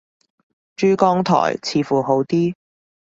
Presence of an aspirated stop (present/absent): present